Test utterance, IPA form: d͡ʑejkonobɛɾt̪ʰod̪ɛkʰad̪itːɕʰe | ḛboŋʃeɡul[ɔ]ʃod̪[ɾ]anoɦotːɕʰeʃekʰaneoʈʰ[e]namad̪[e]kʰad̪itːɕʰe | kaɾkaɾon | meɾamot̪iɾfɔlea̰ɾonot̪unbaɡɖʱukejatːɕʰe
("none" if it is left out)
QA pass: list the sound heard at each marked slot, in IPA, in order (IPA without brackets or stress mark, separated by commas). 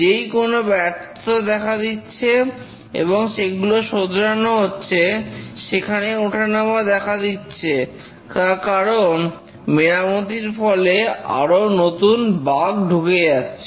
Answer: o, ɾ, a, ɛ